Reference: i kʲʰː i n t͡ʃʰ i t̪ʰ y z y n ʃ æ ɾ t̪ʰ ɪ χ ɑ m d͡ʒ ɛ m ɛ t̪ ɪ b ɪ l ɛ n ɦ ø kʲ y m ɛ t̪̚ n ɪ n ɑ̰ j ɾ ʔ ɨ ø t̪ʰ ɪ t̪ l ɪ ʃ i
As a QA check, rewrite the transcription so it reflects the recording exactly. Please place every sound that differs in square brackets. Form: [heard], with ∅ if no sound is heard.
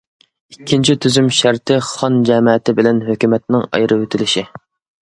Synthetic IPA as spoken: i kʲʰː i n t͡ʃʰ i t̪ʰ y z y [m] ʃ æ ɾ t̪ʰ ɪ χ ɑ [n] d͡ʒ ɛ m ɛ t̪ ɪ b ɪ l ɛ n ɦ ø kʲ y m ɛ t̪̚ n ɪ [ŋ] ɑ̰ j ɾ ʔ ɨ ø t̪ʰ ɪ [∅] l ɪ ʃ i